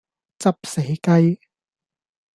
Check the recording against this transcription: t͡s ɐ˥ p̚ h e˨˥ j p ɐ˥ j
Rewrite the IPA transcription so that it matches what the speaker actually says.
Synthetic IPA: t͡s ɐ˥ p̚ s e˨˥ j k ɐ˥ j